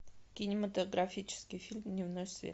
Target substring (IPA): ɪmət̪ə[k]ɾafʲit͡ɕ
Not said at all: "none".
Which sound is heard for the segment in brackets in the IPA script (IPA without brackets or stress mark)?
ɡ